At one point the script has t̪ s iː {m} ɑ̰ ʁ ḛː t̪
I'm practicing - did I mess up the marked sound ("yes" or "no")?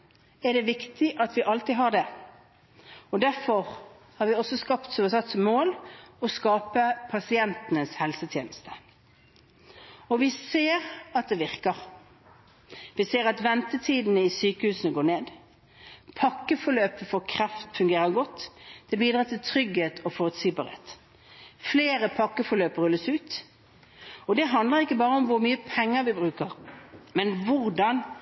yes